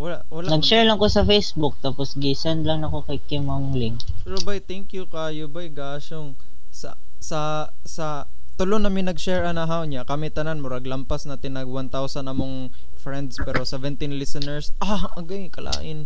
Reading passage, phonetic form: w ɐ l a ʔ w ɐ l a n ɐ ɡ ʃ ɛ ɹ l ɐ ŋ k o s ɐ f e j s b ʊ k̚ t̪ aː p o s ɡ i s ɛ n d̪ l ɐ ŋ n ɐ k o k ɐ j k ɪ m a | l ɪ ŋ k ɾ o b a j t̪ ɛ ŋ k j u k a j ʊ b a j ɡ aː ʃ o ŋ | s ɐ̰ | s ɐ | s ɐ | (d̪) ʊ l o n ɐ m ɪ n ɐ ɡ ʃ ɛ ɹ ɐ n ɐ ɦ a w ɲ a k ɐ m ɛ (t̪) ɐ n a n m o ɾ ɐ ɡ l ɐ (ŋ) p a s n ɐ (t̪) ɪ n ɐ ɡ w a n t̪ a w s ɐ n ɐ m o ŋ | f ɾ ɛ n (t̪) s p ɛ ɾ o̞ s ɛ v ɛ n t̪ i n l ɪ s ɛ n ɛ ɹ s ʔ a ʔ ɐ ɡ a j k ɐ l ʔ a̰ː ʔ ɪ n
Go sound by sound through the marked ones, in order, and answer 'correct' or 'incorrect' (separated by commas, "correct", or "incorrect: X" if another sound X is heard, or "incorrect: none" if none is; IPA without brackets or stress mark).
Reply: incorrect: t̪, correct, incorrect: m, correct, incorrect: d̪